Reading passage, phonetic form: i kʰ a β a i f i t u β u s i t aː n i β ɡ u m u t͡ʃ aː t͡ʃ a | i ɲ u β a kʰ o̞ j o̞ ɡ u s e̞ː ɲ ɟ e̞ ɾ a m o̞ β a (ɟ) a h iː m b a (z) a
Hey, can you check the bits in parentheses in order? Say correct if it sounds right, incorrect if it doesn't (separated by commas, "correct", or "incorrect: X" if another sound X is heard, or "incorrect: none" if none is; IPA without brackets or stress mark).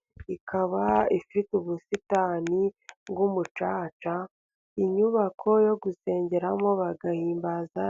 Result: incorrect: ɡ, correct